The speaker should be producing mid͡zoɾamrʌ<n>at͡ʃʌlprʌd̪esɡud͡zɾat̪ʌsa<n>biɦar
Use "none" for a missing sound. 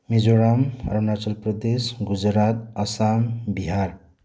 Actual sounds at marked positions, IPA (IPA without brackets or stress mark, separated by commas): n, m